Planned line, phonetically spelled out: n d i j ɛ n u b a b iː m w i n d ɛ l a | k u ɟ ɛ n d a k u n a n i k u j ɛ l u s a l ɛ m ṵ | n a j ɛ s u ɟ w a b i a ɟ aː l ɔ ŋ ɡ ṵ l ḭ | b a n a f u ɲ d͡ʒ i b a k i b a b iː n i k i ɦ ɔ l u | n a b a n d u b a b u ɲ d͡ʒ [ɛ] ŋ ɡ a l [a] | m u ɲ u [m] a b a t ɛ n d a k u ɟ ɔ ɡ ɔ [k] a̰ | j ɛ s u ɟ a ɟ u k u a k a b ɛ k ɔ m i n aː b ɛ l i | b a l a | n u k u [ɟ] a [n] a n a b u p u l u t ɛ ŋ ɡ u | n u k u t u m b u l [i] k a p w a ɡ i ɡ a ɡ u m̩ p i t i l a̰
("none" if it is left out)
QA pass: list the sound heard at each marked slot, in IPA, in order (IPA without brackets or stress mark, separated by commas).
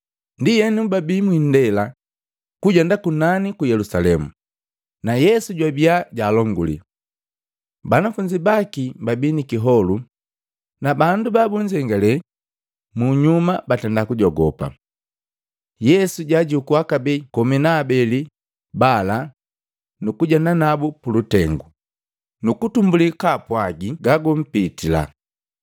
ɛ, ɛ, m, p, ɟ, n, i